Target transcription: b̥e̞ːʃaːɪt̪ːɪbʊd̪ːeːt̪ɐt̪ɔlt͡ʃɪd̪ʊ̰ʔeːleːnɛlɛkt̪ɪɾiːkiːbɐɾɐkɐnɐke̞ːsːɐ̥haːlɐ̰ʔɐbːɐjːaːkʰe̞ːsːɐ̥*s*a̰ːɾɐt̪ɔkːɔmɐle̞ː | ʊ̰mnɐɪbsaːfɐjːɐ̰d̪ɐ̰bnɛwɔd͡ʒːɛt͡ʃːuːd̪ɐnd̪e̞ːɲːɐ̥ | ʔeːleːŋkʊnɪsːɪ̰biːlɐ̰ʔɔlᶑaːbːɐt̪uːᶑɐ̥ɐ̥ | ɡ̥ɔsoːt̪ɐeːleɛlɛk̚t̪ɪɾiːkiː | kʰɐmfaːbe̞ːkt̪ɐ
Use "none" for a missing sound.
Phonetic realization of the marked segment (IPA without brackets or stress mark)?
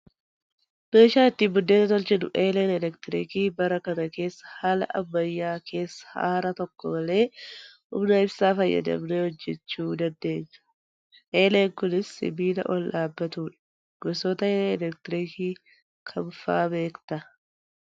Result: h